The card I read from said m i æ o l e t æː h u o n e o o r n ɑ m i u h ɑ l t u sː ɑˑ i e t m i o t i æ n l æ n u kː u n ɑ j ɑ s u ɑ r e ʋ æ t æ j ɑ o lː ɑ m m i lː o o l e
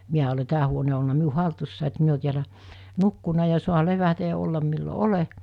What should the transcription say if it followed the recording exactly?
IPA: m i æ o l e t æː h u o n e o o l n ɑ m i u h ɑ l t u sː ɑˑ i e t m i o t i æ l æ n u kː u n ɑ j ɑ s u ɑ l e ʋ æ t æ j ɑ o lː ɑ m m i lː o o l e